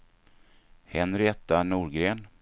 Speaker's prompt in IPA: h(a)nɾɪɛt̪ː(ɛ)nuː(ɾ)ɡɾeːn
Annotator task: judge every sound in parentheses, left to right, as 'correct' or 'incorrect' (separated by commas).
incorrect, incorrect, correct